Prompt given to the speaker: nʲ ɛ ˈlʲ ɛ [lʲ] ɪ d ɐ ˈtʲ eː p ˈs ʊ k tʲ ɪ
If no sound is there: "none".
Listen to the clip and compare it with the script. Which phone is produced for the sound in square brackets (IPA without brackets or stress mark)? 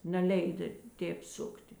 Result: none